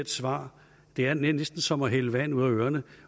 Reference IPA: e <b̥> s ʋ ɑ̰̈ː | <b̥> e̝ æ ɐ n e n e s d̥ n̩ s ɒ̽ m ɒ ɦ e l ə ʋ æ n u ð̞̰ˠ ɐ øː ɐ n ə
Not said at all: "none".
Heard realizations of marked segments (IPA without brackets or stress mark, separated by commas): d̥, d̥